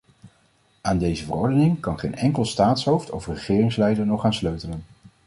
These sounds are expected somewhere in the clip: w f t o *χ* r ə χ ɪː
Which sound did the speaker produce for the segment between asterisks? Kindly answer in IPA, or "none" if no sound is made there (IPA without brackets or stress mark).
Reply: f